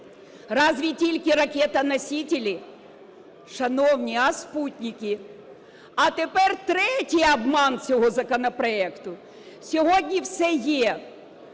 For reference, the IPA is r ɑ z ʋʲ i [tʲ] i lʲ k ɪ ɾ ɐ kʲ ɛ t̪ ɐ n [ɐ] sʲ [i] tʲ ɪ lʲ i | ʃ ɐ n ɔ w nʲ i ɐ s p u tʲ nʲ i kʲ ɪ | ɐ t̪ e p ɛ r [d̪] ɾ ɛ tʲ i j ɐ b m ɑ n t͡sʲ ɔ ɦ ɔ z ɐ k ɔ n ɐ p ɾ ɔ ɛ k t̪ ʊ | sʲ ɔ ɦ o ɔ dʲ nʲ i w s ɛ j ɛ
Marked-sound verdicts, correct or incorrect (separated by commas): correct, correct, correct, incorrect